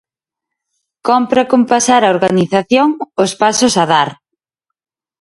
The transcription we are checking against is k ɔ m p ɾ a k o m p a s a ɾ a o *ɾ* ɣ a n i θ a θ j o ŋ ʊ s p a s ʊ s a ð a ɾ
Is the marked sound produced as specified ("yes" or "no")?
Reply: yes